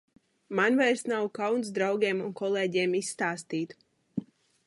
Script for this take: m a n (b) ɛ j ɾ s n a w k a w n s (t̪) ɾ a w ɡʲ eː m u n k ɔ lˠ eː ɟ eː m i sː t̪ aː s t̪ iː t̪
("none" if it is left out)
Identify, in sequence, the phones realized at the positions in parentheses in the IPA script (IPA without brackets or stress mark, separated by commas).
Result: v, d̪